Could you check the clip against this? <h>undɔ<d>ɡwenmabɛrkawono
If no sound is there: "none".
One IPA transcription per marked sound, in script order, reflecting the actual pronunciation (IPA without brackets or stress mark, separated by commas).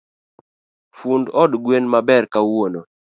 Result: f, d